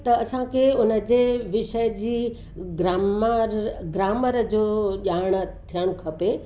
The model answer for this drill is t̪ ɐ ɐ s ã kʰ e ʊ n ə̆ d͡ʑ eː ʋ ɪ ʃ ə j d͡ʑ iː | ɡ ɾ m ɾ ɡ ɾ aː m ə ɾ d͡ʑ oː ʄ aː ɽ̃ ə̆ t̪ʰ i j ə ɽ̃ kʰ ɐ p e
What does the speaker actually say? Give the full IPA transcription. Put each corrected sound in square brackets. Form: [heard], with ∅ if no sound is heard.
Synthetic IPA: t̪ ɐ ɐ s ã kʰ e ʊ n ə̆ d͡ʑ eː ʋ ɪ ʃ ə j d͡ʑ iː | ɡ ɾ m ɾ ɡ ɾ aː m ə ɾ d͡ʑ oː ʄ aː ɽ̃ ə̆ t̪ʰ i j ə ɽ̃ kʰ ɐ p e